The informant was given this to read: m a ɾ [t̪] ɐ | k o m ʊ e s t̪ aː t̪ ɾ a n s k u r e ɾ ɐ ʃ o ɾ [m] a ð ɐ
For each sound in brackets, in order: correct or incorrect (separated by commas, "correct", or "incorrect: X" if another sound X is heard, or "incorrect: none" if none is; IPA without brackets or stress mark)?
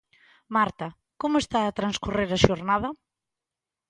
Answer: correct, incorrect: n